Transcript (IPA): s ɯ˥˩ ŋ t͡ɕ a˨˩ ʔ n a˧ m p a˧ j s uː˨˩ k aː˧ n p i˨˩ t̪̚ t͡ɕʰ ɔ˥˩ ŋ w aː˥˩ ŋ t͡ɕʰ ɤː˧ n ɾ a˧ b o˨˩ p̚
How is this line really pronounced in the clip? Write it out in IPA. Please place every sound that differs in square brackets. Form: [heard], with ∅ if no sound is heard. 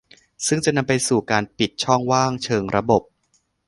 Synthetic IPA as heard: s ɯ˥˩ ŋ t͡ɕ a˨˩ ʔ n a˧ m p a˧ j s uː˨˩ k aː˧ n p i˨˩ t̪̚ t͡ɕʰ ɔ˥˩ ŋ w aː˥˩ ŋ t͡ɕʰ ɤː˧ [ŋ] ɾ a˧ b o˨˩ p̚